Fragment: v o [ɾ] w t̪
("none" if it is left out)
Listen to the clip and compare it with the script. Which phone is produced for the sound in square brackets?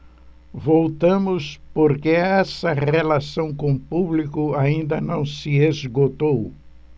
none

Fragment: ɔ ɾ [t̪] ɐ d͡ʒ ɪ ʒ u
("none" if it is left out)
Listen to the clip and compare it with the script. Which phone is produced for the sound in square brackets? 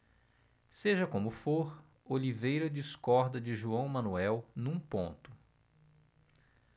d̪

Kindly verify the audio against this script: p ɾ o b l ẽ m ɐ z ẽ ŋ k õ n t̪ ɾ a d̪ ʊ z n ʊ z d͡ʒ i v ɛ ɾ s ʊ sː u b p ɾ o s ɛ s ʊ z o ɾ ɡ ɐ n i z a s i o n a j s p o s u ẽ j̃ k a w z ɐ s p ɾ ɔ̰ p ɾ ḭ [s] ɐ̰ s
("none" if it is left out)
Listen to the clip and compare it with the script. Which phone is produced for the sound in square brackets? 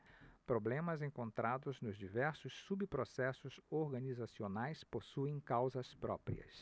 none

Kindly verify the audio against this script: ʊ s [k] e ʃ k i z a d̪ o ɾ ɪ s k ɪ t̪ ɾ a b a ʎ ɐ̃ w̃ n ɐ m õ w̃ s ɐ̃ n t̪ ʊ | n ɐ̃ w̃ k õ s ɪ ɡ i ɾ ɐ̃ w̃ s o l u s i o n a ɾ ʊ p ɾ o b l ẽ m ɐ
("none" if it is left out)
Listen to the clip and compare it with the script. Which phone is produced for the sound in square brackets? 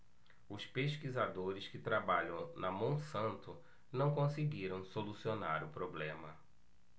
p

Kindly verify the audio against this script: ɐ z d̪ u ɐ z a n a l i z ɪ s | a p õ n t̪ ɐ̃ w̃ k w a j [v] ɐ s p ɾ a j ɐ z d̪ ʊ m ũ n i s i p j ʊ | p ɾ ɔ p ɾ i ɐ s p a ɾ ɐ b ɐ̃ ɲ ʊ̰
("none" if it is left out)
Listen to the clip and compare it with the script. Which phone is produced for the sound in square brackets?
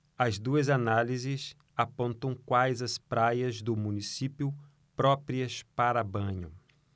z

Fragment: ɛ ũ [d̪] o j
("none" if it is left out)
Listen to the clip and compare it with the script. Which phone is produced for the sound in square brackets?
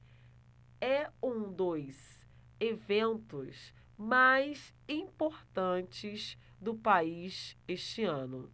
d̪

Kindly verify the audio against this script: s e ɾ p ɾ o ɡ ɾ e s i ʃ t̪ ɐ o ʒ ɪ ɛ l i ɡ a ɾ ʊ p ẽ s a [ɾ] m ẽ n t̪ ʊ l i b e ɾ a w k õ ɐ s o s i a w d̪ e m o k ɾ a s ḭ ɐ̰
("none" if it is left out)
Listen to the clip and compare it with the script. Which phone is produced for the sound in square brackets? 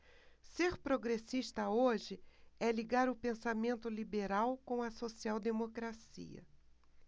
none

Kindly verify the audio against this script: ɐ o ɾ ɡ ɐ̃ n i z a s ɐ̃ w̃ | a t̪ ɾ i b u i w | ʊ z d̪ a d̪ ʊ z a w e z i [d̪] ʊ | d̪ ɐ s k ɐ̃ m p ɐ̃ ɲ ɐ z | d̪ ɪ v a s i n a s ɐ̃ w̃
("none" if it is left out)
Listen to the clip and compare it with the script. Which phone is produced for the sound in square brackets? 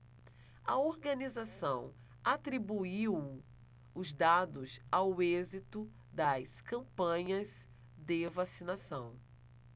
t̪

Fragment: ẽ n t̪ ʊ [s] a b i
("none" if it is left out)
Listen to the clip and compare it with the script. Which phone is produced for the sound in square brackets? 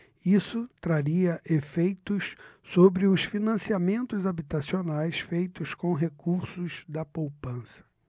z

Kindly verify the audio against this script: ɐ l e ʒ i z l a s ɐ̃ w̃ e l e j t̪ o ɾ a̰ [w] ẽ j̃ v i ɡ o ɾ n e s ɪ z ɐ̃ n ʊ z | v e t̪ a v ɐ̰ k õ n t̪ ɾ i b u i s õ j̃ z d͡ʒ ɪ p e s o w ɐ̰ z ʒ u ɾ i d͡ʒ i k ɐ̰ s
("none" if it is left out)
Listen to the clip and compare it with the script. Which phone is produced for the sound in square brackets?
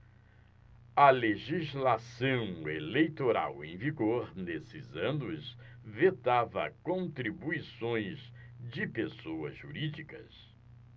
w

